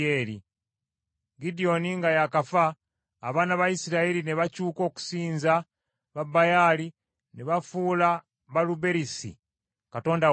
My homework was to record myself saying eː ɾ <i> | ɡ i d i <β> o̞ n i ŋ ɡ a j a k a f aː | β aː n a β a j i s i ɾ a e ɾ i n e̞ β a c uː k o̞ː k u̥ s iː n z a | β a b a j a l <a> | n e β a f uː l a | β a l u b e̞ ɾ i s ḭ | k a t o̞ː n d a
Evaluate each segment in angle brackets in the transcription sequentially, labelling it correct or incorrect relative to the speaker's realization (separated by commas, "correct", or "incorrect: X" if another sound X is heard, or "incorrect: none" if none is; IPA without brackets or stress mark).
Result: correct, incorrect: none, incorrect: i